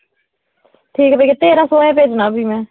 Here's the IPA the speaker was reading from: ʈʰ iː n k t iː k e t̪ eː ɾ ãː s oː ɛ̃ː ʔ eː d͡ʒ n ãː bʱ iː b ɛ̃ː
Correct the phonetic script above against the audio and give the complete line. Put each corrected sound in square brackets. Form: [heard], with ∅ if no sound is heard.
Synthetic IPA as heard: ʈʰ iː [∅] k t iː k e t̪ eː ɾ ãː s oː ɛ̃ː [p] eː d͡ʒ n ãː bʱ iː [m] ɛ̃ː